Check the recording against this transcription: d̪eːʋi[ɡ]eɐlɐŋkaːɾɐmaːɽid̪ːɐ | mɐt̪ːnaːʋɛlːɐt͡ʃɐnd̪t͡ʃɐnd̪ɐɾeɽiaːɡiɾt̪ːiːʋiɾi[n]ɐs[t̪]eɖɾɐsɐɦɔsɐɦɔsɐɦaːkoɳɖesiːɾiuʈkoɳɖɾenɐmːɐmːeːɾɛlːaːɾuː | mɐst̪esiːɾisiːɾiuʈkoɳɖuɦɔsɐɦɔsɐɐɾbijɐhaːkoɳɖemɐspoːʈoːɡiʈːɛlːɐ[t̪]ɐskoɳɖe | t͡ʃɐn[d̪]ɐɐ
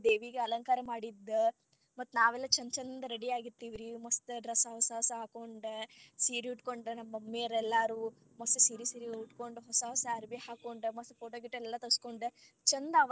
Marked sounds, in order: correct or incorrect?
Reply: correct, incorrect: m, correct, correct, correct

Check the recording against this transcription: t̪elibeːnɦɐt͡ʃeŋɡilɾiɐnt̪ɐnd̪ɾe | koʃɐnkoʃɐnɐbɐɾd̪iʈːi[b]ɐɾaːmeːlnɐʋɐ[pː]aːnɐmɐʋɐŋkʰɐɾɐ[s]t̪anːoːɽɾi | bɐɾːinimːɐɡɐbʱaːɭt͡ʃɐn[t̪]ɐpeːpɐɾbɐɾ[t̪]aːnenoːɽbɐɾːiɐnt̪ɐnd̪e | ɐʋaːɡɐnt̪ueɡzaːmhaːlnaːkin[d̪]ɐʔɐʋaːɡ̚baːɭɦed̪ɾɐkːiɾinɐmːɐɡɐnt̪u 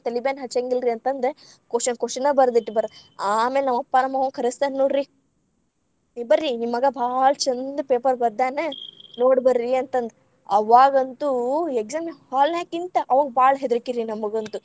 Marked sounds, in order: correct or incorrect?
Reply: correct, correct, correct, incorrect: d̪, incorrect: d̪, incorrect: t̪

